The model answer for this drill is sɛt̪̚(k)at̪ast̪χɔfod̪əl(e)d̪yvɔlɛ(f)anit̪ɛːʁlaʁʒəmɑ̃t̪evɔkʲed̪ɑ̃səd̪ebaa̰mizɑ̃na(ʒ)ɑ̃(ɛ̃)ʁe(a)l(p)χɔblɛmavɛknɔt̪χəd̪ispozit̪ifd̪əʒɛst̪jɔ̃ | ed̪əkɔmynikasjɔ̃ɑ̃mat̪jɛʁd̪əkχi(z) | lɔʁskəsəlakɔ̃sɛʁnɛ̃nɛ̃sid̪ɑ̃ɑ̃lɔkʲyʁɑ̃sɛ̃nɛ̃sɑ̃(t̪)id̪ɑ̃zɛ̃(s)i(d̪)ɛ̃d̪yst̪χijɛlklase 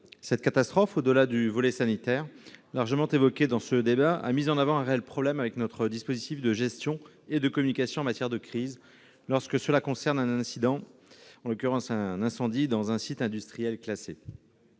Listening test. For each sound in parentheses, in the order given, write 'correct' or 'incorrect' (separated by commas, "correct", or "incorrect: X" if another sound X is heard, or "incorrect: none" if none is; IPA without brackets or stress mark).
correct, incorrect: a, incorrect: s, incorrect: v, correct, incorrect: ɛ, correct, correct, incorrect: d̪, correct, incorrect: t̪